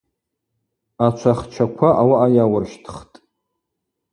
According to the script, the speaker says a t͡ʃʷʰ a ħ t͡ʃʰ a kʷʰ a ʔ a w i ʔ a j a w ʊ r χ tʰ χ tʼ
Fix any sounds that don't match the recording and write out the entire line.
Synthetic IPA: a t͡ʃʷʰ a χ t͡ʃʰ a kʷʰ a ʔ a w a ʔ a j a w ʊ r ʃ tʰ χ tʼ